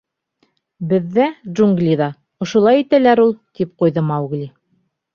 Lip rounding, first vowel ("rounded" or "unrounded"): unrounded